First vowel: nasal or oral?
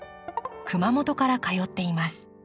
oral